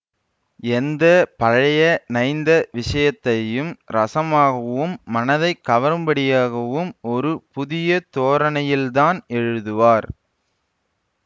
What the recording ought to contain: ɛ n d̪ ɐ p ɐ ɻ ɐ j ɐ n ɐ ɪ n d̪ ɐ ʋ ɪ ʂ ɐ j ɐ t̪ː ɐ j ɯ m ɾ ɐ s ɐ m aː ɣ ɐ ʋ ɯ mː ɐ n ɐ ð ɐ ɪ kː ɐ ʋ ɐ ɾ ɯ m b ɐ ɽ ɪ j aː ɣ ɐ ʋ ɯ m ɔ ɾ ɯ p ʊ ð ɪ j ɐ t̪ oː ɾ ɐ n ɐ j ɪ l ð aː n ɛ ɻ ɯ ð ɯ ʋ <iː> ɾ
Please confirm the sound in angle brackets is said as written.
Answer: no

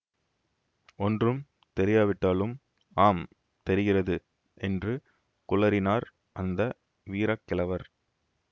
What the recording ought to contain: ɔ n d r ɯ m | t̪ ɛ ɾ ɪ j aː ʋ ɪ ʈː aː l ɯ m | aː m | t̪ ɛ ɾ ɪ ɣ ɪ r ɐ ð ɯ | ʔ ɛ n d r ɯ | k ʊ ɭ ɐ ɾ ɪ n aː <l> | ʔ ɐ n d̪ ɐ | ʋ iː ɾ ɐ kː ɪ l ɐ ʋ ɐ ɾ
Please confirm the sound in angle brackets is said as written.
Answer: no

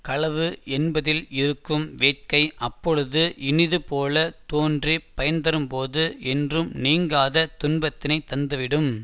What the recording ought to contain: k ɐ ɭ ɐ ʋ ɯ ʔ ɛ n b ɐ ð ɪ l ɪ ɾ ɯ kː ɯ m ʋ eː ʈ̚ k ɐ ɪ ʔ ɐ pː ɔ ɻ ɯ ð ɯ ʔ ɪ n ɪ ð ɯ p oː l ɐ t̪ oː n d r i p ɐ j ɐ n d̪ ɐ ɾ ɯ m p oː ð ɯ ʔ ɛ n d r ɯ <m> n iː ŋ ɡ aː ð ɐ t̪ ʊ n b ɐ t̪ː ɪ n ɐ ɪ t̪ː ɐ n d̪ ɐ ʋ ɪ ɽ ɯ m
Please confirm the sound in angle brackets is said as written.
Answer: yes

